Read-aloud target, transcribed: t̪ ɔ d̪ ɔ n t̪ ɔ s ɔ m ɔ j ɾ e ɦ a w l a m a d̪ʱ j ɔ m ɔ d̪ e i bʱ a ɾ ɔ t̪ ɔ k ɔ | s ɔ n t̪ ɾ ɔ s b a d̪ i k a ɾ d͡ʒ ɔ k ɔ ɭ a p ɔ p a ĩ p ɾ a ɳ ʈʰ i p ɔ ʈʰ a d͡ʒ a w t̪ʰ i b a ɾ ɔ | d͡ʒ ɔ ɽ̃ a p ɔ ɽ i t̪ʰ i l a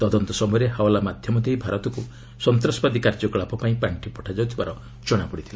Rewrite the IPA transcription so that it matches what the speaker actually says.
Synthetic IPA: t̪ ɔ d̪ ɔ n t̪ ɔ s ɔ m ɔ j ɾ e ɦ a w l a m a d̪ʱ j ɔ m ɔ d̪ e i bʱ a ɾ ɔ t̪ ɔ k u | s ɔ n t̪ ɾ ɔ s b a d̪ i k a ɾ d͡ʒ ɔ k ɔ ɭ a p ɔ p a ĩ p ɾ a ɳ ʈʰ i p ɔ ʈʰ a d͡ʒ a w t̪ʰ i b a ɾ ɔ | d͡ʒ ɔ ɽ̃ a p ɔ ɽ i t̪ʰ i l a